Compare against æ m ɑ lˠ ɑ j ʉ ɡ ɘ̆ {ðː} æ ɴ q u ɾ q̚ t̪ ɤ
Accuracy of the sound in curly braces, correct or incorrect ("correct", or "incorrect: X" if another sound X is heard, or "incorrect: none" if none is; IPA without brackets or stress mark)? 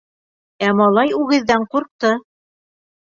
correct